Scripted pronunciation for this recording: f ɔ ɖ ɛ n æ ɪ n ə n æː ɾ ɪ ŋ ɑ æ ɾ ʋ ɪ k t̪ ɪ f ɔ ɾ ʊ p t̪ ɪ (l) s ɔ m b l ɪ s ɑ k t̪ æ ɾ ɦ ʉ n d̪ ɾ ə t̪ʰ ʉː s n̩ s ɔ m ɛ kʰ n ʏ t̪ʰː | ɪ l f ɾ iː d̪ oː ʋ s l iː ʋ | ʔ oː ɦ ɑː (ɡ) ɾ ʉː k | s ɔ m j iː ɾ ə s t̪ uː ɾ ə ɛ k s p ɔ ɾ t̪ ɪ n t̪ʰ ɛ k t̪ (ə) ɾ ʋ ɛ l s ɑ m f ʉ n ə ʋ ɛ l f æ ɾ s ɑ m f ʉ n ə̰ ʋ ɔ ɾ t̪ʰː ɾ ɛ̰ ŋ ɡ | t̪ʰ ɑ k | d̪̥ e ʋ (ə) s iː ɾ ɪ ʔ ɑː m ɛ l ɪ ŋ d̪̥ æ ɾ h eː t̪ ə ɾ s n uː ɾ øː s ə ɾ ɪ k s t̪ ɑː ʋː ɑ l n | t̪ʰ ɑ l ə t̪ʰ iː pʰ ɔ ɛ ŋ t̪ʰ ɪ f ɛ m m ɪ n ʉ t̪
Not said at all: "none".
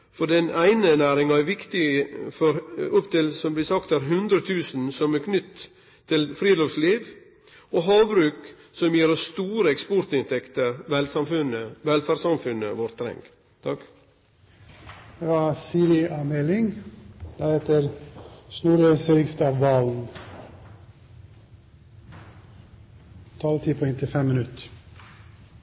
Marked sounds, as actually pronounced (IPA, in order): l, b, ə, ɑ

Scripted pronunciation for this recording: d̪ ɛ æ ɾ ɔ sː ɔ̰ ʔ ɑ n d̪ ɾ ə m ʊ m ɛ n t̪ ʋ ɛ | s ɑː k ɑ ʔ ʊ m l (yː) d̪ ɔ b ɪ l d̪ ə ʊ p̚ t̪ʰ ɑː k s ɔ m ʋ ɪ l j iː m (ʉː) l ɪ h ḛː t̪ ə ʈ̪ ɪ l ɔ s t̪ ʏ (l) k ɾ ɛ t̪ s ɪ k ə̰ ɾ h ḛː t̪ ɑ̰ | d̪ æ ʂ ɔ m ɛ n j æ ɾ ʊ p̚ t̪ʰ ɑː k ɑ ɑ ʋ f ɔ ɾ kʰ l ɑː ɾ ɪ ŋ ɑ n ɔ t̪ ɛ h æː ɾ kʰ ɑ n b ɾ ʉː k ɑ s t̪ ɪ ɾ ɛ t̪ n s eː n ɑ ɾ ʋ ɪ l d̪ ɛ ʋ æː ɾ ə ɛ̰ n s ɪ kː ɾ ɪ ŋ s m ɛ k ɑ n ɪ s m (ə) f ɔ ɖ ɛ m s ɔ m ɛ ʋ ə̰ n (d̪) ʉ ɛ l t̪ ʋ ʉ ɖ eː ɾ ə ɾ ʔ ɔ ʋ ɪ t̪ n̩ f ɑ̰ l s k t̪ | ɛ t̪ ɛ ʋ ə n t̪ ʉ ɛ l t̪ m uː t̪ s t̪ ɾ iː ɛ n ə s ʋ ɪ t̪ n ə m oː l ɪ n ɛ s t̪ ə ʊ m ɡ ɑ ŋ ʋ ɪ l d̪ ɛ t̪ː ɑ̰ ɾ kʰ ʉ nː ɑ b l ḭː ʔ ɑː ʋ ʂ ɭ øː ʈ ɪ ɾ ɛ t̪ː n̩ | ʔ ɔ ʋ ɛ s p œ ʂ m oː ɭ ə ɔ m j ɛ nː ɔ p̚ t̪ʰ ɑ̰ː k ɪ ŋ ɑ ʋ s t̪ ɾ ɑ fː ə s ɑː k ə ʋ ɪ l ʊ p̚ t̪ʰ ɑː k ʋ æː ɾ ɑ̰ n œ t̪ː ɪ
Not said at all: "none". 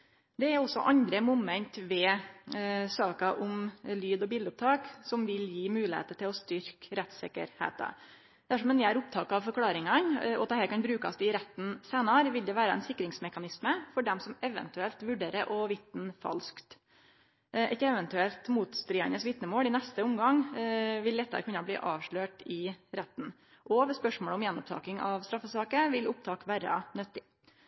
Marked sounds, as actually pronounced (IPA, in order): yː, ʉː, ɾ, ə, t̪

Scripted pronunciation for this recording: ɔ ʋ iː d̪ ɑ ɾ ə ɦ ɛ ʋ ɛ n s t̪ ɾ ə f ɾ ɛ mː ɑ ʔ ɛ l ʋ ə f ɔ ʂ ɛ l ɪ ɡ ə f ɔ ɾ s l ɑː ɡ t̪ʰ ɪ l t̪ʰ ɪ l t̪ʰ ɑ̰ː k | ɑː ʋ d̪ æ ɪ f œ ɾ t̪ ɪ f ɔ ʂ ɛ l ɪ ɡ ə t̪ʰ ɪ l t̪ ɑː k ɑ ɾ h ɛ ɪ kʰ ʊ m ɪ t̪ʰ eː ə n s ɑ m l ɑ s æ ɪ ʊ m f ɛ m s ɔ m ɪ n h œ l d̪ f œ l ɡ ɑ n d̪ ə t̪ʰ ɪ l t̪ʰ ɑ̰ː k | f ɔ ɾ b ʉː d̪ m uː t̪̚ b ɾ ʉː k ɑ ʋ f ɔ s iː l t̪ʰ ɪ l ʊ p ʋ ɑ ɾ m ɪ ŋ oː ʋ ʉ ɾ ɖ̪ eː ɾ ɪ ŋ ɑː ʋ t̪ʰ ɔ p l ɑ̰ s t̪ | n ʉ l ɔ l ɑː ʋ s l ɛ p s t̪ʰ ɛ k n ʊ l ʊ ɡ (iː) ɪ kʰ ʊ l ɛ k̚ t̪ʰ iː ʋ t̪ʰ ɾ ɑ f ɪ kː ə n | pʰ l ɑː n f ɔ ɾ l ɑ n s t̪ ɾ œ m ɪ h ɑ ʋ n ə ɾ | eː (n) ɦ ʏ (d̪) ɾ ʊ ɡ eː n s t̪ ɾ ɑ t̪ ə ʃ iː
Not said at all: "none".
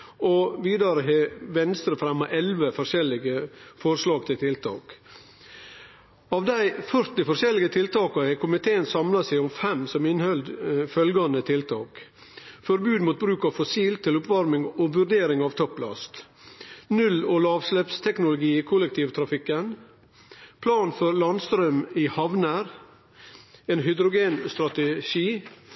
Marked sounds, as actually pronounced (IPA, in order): iː, n, d̪

